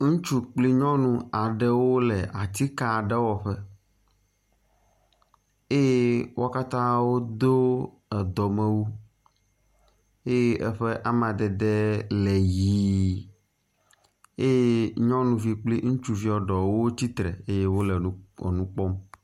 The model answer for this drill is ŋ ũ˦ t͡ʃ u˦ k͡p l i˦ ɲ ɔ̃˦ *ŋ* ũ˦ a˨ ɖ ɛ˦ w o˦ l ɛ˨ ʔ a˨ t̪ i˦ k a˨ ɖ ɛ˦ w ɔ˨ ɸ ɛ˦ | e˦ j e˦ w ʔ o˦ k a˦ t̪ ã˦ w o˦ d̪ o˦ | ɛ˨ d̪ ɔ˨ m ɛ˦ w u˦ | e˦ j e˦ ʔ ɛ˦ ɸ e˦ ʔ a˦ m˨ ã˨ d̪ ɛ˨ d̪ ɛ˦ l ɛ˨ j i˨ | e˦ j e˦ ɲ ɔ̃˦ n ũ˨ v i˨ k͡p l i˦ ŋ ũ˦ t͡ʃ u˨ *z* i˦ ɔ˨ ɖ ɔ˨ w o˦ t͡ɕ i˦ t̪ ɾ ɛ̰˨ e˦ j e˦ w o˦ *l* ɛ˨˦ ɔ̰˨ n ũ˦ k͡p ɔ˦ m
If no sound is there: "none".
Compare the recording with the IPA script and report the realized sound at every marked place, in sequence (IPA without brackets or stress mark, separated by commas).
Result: n, v, l